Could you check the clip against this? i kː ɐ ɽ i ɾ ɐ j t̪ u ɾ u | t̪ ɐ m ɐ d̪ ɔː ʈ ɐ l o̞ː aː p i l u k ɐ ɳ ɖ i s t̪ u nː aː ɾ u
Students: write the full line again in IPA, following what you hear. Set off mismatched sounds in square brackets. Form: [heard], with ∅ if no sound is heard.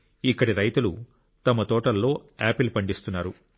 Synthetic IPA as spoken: i kː ɐ ɽ i ɾ ɐ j t̪ u [l] u | t̪ ɐ m ɐ [t̪] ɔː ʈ ɐ [lː] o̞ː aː p i l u [p] ɐ ɳ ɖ i s t̪ u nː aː ɾ u